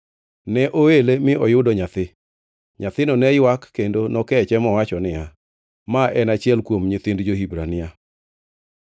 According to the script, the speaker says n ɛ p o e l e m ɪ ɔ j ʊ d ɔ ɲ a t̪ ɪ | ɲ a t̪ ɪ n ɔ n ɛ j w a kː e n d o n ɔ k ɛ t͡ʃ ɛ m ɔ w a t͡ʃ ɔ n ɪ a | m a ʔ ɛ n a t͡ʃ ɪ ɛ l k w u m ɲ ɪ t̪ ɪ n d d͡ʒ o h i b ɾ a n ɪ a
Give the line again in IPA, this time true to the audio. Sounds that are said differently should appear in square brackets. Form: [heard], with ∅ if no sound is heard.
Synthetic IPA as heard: n ɛ [ʔ] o e l e m ɪ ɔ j ʊ d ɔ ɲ a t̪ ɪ | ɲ a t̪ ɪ n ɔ n ɛ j w a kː e n d o n ɔ k ɛ t͡ʃ ɛ m ɔ w a t͡ʃ ɔ n ɪ a | m a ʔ ɛ n a t͡ʃ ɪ ɛ l k w [o] m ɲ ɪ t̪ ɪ n d d͡ʒ o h i b ɾ a n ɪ a